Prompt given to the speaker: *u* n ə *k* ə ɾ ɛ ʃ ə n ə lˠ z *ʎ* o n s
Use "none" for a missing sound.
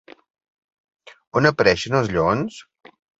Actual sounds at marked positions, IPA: o, p, ʎ

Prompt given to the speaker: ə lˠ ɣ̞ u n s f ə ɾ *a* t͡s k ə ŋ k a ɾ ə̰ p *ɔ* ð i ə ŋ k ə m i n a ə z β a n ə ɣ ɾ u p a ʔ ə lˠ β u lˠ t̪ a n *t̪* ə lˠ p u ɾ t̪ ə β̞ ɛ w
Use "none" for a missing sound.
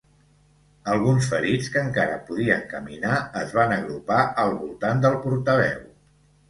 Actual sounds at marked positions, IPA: i, u, d̪

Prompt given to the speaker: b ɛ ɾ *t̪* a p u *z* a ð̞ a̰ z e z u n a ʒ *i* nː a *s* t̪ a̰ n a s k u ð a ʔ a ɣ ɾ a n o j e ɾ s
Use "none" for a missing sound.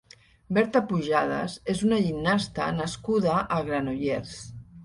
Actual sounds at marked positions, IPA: t̪, ʒ, i, s

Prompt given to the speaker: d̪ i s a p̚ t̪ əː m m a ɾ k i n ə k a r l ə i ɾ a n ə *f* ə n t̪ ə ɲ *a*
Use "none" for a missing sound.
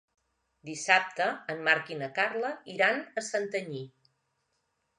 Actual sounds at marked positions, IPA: s, i

